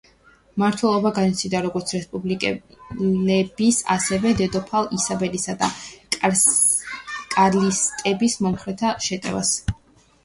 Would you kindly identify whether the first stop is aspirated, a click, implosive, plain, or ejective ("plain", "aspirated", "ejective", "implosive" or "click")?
aspirated